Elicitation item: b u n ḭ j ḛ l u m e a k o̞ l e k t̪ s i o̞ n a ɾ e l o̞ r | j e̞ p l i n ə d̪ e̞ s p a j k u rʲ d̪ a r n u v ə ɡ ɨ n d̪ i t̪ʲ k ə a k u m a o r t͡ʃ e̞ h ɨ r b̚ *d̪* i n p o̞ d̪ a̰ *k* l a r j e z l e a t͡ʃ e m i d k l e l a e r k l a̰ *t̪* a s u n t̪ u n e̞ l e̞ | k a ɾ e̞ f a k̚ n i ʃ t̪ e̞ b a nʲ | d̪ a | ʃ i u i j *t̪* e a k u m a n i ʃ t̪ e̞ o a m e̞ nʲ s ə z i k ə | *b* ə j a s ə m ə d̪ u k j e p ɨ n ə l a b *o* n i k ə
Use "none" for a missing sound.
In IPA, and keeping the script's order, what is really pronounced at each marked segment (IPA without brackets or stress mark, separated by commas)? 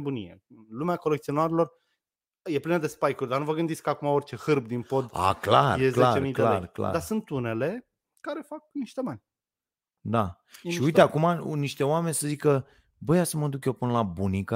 d̪, k, d̪, t̪, b, u